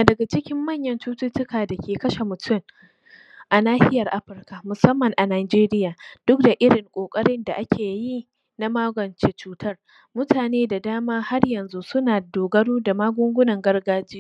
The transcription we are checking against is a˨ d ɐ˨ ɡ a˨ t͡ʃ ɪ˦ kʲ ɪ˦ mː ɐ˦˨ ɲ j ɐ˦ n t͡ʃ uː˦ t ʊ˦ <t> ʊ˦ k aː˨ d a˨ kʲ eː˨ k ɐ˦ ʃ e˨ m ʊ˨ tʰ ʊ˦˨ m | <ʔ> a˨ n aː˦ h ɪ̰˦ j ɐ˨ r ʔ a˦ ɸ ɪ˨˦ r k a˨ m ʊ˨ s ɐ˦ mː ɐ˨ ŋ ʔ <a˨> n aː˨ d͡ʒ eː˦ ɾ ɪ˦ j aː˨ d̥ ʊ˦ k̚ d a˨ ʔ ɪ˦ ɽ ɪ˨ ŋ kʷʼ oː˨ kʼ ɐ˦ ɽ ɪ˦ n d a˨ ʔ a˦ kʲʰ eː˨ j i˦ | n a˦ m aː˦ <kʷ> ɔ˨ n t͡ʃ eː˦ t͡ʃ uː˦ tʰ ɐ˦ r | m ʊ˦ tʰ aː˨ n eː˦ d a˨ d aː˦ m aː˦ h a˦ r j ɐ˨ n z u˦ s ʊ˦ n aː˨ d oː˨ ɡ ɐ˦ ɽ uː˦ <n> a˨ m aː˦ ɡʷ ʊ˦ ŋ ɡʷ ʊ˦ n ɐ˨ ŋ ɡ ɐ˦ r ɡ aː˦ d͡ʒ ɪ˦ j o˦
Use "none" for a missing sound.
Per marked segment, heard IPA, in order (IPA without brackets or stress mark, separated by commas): t, ʔ, a˨, ɡʷ, d